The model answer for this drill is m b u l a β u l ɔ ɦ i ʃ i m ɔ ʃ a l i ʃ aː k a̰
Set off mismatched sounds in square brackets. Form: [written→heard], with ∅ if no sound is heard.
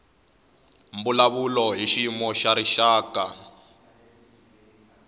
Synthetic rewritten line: m b u l a β u l ɔ ɦ i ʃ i m ɔ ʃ a [l→ɾ] i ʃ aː k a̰